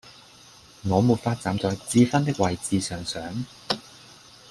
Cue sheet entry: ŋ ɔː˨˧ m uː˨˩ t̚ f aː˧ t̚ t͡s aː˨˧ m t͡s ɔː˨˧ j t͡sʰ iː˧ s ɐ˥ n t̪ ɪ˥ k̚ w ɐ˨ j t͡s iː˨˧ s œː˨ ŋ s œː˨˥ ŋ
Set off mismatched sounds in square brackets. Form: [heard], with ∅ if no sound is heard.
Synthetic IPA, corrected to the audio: ŋ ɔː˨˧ m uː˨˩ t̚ f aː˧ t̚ t͡s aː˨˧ m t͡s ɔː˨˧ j [t͡s] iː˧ [f] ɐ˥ n t̪ ɪ˥ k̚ w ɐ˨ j t͡s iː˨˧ s œː˨ ŋ s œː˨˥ ŋ